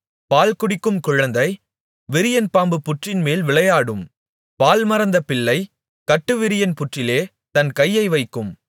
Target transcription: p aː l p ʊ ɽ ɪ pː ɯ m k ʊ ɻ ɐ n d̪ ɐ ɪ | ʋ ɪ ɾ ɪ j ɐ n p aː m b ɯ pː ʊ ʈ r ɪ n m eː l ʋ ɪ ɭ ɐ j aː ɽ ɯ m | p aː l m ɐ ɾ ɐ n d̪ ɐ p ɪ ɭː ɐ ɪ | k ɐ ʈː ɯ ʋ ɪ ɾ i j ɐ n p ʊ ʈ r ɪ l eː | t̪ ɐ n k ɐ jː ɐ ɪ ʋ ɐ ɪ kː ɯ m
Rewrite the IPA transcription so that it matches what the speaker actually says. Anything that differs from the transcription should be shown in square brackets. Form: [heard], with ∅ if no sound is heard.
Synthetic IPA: p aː l [k] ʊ ɽ ɪ [kː] ɯ m k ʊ ɻ ɐ n d̪ ɐ ɪ | ʋ ɪ ɾ ɪ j ɐ n p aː m b ɯ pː ʊ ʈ r ɪ n m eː l ʋ ɪ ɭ ɐ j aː ɽ ɯ m | p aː l m ɐ ɾ ɐ n d̪ ɐ p ɪ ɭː ɐ ɪ | k ɐ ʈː ɯ ʋ ɪ ɾ [ɪ] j ɐ n p ʊ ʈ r ɪ l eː | t̪ ɐ n k ɐ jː ɐ ɪ ʋ ɐ ɪ kː ɯ m